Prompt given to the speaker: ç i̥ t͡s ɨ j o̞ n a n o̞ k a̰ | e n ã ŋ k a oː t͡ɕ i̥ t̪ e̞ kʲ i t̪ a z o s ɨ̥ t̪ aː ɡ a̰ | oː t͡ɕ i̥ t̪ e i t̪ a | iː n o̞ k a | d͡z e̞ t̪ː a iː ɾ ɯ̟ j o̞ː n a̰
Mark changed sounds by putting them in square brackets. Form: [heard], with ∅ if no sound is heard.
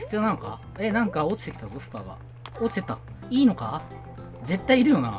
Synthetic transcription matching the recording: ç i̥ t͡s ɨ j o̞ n a n o̞ k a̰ | e n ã ŋ k a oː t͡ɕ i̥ t̪ e̞ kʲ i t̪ a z o s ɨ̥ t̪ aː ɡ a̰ | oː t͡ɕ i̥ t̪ e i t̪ a | iː n o̞ k a | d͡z e̞ t̪ː a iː ɾ ɯ̟ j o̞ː n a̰